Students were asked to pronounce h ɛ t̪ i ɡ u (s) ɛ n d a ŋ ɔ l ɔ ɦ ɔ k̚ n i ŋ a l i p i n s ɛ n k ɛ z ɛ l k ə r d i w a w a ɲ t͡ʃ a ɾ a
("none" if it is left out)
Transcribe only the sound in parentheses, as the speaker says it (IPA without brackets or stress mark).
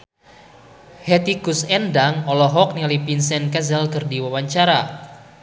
s